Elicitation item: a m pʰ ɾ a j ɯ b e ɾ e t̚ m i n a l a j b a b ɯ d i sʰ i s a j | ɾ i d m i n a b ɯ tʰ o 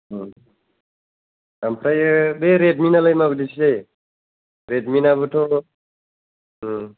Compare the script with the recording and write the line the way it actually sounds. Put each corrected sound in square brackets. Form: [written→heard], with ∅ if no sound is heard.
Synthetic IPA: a m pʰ ɾ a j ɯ b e ɾ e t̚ m i n a l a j [b→m] a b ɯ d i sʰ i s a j | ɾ [i→e] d m i n a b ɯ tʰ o